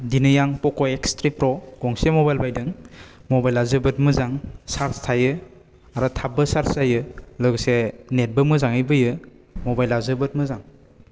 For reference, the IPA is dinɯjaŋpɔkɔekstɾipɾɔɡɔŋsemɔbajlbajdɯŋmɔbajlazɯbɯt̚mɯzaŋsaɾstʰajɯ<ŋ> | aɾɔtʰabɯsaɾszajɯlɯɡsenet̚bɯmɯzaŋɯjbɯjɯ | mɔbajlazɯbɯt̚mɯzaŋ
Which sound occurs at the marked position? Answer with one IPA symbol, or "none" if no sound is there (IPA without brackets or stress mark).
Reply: none